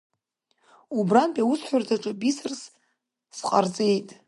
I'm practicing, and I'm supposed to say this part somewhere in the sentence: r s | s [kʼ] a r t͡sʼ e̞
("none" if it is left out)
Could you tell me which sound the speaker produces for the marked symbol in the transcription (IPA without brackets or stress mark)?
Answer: qʼ